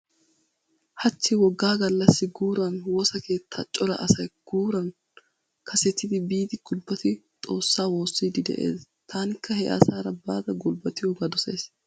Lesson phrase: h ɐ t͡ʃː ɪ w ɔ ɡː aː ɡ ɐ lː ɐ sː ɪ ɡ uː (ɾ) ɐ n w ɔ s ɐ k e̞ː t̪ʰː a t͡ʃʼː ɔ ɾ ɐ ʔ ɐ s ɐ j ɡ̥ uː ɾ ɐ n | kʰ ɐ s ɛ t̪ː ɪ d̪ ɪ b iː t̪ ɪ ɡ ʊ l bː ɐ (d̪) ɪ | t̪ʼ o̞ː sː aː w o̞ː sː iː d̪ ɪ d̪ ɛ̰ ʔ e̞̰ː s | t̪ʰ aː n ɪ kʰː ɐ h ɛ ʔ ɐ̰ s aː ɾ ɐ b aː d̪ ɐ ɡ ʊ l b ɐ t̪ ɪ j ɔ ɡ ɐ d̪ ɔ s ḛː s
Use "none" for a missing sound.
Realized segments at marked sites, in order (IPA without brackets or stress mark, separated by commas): ɾ, t̪